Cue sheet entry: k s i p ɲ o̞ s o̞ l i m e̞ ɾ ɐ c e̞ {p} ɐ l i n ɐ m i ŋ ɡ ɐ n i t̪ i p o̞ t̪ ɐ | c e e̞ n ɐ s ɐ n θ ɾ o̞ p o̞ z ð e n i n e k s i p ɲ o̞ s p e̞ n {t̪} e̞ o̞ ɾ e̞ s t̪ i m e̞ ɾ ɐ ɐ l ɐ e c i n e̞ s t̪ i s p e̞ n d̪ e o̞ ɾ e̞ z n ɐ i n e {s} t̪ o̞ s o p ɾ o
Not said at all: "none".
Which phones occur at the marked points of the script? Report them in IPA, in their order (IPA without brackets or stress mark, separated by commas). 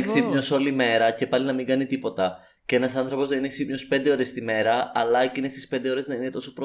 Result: p, d̪, none